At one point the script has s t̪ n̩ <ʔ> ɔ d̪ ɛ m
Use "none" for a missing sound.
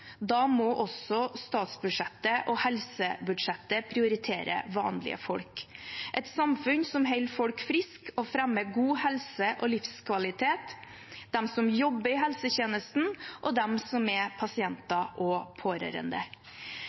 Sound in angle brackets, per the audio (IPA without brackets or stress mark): ʔ